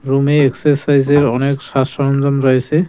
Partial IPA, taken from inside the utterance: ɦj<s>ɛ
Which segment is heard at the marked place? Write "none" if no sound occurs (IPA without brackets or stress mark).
s